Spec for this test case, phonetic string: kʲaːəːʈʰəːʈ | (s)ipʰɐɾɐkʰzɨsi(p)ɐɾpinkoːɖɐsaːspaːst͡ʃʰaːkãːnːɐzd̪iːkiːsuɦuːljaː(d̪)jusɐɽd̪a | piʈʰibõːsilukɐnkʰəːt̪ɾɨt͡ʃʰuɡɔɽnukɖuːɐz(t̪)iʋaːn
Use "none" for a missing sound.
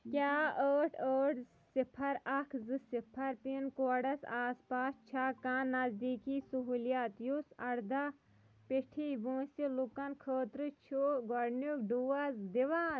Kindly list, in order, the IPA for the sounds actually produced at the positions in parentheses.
s, pʰ, t̪, d̪

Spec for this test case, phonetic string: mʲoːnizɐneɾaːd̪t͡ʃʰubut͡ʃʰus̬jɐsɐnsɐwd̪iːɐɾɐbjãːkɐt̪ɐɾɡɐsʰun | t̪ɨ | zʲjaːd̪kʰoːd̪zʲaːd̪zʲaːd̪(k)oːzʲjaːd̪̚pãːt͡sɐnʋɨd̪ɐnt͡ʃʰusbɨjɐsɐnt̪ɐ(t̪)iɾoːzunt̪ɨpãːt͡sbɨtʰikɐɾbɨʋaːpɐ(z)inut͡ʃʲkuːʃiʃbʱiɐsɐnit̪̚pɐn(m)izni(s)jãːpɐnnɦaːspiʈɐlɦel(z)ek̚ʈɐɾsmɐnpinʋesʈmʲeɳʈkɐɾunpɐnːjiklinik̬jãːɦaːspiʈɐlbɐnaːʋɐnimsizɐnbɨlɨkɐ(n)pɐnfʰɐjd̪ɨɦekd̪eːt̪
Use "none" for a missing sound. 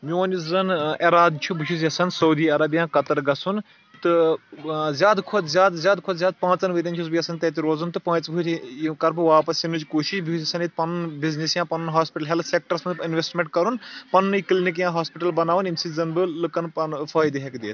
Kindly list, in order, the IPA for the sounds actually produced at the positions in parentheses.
kʰ, t̪, s, b, s, s, n

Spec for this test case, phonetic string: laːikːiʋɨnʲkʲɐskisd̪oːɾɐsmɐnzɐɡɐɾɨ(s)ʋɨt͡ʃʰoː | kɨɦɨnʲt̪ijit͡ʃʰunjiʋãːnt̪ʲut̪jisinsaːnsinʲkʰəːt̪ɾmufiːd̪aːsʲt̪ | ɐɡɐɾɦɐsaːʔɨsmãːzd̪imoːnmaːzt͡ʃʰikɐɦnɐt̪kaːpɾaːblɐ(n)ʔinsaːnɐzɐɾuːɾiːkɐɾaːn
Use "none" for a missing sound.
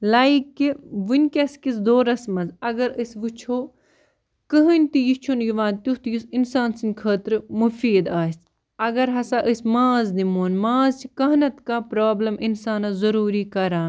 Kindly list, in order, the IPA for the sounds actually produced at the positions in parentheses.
s, m

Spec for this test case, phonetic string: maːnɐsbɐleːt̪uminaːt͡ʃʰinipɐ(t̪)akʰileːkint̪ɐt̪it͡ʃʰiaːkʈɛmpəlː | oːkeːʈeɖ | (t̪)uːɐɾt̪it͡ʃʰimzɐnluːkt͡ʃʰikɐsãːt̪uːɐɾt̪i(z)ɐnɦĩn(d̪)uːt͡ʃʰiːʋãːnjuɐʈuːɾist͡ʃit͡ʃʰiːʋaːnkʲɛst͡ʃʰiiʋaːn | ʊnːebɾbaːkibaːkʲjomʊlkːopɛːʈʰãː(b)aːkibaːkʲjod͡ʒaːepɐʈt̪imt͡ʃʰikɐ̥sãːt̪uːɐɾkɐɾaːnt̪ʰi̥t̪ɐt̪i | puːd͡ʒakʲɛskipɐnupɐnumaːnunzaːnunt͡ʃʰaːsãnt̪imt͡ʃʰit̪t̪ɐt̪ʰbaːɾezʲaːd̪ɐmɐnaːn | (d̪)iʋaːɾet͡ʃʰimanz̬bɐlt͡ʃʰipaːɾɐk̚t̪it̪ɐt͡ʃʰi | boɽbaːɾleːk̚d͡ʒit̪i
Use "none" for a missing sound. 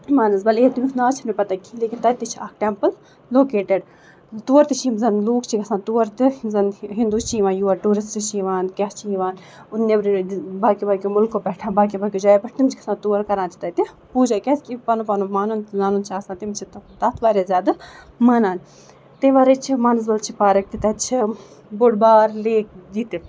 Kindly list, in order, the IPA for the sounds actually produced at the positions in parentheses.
t̪, t̪, z, d̪, b, t̪

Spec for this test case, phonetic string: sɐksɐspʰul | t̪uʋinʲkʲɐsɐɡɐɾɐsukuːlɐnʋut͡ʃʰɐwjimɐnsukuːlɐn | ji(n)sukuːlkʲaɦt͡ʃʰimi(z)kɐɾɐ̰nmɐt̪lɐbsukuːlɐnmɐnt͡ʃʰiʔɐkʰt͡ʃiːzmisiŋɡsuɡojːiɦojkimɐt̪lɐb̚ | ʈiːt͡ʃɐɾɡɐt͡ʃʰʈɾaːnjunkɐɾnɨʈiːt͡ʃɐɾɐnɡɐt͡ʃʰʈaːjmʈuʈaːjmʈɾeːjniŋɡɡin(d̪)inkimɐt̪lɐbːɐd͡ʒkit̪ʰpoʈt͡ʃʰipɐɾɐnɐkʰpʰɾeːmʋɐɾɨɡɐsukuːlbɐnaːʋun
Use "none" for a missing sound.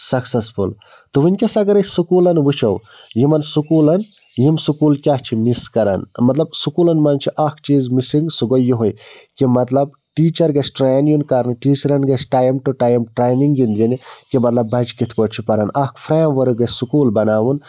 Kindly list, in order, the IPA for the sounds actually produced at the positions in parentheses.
m, s, d̪

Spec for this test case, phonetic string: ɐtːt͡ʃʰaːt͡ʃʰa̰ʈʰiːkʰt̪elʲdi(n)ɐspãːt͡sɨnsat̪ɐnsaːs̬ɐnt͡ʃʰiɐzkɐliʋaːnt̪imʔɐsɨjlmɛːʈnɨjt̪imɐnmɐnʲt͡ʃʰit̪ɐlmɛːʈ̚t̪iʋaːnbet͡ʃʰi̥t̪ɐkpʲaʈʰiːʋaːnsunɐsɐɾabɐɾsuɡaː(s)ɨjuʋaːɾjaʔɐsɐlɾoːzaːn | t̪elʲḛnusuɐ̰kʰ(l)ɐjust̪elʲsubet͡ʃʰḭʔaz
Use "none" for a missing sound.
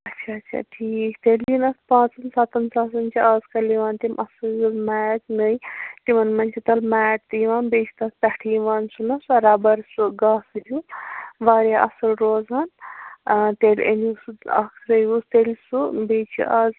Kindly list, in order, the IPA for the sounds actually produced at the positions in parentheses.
n, s, ɾ

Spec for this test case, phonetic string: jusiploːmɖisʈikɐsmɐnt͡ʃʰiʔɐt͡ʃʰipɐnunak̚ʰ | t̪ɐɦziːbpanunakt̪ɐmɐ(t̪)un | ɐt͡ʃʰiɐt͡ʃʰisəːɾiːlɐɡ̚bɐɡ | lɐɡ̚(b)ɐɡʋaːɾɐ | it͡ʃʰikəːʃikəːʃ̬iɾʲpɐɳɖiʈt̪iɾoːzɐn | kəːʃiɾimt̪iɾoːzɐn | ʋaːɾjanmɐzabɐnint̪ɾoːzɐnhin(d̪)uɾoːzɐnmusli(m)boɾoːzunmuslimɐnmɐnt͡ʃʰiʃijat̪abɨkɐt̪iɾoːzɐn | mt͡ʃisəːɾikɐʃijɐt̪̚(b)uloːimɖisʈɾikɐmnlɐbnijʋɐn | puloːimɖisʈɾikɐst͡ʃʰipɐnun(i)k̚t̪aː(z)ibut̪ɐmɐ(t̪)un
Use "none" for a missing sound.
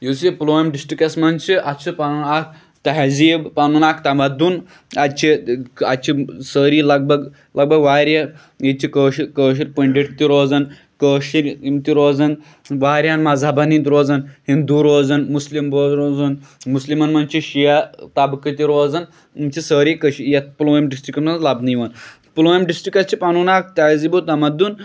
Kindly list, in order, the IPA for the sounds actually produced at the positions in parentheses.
d̪, b, d̪, m, p, a, z, d̪

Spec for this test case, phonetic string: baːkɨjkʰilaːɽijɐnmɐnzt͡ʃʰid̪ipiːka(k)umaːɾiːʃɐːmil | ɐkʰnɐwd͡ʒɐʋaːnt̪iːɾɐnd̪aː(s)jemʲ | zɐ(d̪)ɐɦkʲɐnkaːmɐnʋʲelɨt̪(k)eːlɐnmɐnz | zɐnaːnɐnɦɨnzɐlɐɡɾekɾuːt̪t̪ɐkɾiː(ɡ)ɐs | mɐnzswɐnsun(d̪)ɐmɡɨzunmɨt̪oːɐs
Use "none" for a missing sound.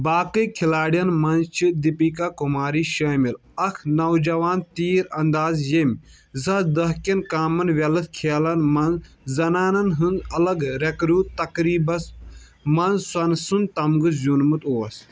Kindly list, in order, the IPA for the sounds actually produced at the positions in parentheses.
k, z, d̪, kʰ, b, t̪

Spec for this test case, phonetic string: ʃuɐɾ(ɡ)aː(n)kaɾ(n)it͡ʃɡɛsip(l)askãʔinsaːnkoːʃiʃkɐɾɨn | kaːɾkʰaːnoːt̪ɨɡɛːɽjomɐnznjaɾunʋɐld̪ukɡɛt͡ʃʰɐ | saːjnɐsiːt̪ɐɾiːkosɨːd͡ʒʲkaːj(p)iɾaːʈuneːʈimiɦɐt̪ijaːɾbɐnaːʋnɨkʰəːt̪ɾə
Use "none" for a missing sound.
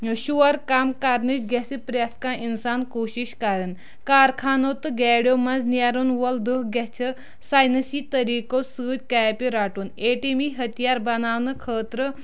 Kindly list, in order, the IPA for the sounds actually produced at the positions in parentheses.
k, m, n, ɾ, p

